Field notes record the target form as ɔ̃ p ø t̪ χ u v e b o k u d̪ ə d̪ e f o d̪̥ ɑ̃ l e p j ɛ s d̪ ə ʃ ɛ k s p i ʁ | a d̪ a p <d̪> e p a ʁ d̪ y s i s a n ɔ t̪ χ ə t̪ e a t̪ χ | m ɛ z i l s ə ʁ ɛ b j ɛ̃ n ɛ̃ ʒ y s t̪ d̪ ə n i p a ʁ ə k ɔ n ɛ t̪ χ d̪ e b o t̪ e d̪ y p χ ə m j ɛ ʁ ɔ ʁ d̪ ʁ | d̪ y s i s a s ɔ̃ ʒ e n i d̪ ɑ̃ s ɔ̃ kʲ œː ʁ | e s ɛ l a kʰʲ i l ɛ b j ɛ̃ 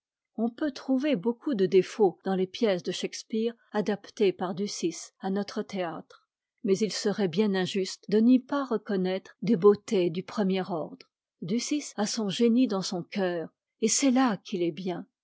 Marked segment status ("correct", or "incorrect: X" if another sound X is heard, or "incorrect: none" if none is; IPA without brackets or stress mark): incorrect: t̪